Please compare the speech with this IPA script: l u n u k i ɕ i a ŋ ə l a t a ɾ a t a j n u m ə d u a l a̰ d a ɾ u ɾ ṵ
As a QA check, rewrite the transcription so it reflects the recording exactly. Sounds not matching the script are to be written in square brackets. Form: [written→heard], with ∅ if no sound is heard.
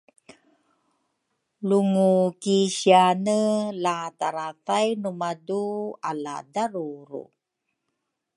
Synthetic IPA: l u [n→ŋ] u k i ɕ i a [ŋ→n] ə l a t a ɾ a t a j n u m [ə→a] d u a l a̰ d a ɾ u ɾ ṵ